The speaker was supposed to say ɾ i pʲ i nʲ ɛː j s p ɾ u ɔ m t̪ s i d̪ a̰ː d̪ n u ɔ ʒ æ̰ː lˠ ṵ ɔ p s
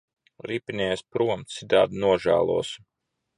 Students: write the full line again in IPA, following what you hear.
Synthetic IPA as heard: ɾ i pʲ i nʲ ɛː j s p ɾ u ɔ m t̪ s i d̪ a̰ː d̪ n u ɔ ʒ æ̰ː lˠ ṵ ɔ s